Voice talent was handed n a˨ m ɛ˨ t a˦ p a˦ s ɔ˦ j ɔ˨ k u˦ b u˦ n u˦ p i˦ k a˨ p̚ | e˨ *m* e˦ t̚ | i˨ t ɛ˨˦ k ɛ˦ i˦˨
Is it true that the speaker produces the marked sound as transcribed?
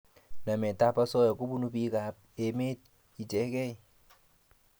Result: yes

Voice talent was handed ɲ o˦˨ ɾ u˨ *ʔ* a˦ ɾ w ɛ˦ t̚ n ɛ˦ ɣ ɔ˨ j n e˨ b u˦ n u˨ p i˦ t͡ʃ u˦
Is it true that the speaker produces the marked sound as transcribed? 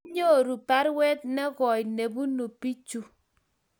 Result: no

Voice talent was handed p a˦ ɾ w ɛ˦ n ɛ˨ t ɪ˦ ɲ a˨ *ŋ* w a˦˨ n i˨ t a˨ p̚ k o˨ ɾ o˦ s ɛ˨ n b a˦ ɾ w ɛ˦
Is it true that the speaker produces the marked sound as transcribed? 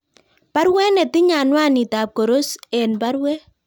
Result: no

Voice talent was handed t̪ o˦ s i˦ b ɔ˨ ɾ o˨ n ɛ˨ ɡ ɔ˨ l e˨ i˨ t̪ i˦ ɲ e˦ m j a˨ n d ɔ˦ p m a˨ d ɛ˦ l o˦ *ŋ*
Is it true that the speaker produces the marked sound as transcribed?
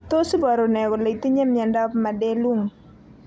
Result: yes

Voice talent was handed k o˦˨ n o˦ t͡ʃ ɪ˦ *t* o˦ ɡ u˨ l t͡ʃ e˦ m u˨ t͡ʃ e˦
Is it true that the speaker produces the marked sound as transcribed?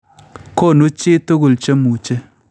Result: yes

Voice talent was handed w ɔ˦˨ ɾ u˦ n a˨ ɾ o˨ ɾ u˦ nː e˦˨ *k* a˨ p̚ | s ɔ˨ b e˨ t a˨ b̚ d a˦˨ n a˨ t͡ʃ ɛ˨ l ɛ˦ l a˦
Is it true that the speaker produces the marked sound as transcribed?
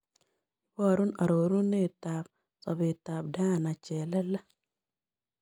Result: no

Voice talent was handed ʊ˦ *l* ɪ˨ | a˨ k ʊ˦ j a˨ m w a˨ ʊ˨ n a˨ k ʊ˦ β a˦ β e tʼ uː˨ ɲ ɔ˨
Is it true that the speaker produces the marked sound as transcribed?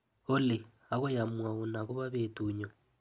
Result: yes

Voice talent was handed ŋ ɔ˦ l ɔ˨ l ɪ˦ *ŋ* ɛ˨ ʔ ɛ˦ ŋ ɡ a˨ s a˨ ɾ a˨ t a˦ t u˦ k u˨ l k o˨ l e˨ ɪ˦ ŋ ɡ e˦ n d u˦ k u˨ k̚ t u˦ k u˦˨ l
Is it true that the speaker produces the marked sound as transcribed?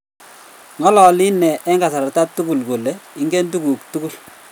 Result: no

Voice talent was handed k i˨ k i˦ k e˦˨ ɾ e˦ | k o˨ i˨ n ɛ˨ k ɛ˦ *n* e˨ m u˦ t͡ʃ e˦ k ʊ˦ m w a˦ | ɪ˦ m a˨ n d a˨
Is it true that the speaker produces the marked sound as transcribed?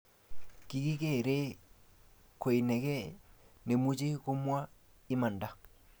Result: yes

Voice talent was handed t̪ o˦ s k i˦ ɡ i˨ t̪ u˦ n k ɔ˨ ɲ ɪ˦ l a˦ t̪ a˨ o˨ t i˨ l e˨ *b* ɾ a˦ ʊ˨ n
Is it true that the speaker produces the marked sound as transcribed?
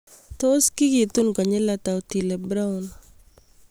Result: yes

